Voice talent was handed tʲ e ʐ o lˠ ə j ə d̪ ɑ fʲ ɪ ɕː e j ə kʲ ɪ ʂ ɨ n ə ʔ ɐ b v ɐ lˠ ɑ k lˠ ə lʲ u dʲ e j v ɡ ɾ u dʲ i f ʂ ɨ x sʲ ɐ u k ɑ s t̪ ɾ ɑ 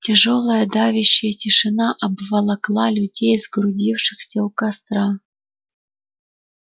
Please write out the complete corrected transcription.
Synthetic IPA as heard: tʲ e ʐ o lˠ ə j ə d̪ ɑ vʲ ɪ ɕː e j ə tʲ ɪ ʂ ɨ n ɑ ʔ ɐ b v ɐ lˠ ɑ k lˠ ɑ lʲ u dʲ e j z ɡ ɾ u dʲ i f ʂ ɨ x sʲ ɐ u k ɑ s t̪ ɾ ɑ